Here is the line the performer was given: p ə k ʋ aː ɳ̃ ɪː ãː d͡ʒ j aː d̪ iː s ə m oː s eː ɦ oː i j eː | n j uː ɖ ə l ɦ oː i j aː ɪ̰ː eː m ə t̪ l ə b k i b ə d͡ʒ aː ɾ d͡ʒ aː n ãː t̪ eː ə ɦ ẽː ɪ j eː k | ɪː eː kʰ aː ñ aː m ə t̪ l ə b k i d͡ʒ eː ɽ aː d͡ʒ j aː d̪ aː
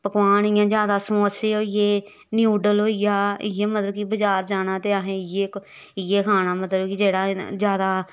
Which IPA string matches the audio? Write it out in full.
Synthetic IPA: p ə k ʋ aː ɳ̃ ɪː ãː d͡ʒ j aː d̪ aː s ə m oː s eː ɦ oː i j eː | n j uː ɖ ə l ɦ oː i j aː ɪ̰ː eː m ə t̪ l ə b k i b ə d͡ʒ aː ɾ d͡ʒ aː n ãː t̪ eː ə ɦ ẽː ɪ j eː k | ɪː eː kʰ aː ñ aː m ə t̪ l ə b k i d͡ʒ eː ɽ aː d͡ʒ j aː d̪ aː